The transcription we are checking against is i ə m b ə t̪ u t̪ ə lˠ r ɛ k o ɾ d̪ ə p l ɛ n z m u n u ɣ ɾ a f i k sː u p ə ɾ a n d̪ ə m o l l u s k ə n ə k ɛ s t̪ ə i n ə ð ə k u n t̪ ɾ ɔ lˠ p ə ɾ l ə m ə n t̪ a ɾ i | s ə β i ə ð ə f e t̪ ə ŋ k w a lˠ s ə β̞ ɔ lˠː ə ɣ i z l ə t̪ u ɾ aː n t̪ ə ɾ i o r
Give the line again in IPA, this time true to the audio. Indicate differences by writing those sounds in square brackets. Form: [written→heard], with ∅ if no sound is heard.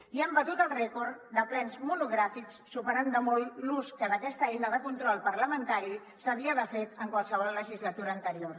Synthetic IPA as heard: i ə m b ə t̪ u t̪ ə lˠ r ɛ k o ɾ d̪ ə p l ɛ n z m u n u ɣ ɾ a f i k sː u p ə ɾ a n d̪ ə m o l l u s k ə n ə k ɛ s t̪ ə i n ə ð ə k u n t̪ ɾ ɔ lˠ p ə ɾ l ə m ə n t̪ a ɾ i | s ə β i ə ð ə f e t̪ ə ŋ k w a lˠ s ə β̞ ɔ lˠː ə [ɣ→ʒ] i z l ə t̪ u ɾ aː n t̪ ə ɾ i o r